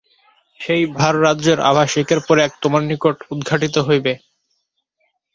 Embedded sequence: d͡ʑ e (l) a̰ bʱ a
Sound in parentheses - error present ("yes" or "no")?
yes